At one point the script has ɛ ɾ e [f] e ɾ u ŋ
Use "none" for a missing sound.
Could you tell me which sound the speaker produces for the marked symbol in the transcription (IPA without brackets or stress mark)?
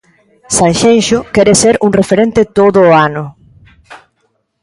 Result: s